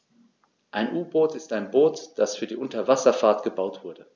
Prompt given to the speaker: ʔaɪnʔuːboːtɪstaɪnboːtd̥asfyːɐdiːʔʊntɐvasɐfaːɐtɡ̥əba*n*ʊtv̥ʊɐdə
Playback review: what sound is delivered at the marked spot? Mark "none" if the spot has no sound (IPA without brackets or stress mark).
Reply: none